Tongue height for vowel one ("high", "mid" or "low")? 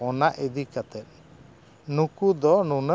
mid